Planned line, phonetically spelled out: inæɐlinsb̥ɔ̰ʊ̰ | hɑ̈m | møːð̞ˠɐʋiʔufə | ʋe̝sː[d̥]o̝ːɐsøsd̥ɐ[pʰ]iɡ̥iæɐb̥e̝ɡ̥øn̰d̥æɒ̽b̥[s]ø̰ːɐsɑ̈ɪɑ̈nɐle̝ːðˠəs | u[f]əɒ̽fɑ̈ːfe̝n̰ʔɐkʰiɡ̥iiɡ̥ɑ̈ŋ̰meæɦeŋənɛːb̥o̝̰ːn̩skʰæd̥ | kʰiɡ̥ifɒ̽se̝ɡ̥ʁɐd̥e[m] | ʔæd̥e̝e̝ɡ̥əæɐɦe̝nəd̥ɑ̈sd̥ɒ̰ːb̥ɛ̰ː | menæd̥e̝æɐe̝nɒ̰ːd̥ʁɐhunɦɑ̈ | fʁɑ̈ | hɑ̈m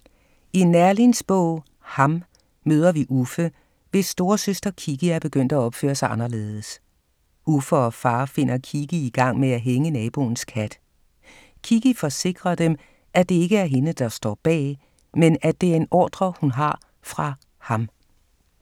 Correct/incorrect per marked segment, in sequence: correct, incorrect: kʰ, incorrect: f, correct, correct

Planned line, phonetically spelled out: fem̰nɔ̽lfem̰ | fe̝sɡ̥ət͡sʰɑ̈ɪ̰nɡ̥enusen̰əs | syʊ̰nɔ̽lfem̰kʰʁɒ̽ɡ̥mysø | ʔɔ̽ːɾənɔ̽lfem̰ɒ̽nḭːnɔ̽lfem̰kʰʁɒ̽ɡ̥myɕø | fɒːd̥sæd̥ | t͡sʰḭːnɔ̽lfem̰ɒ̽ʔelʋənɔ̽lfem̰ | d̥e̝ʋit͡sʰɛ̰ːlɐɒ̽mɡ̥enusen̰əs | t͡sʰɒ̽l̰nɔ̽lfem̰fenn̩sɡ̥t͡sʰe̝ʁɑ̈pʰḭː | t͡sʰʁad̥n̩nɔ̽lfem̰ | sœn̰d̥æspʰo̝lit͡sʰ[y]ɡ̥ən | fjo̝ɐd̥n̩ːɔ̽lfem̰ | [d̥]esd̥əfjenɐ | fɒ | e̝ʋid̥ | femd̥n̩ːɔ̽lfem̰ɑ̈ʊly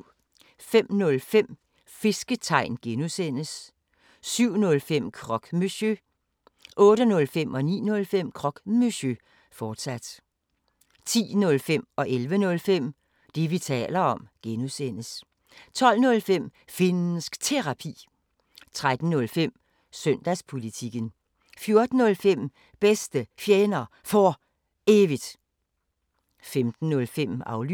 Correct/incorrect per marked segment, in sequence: incorrect: i, incorrect: b̥

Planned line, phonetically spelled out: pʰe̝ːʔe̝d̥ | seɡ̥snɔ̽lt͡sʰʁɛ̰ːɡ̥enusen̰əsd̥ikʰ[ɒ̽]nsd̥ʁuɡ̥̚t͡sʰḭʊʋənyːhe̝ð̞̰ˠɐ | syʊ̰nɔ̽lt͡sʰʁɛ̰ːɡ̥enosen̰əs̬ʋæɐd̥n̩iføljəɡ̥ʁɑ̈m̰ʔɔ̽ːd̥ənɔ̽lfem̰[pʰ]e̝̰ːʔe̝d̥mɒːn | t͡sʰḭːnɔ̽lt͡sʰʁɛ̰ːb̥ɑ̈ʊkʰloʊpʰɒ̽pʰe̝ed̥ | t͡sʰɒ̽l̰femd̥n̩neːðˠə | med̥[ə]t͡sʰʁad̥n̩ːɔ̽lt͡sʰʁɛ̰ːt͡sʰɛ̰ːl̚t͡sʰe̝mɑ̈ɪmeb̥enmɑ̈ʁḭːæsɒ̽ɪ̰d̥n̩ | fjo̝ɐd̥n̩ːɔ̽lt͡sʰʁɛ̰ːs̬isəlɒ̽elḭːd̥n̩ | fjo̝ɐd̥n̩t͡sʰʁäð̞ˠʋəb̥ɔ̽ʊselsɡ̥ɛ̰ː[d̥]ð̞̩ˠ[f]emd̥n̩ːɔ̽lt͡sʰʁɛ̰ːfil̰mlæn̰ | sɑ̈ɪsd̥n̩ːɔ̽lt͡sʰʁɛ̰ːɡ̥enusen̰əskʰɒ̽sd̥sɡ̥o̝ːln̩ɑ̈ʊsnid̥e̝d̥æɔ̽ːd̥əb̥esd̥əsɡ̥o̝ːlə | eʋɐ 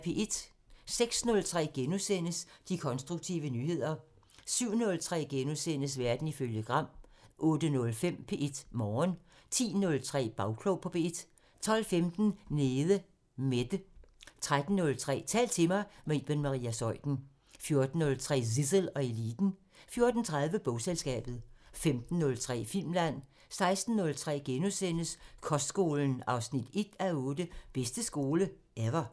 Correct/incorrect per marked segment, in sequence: correct, correct, correct, incorrect: b̥, correct

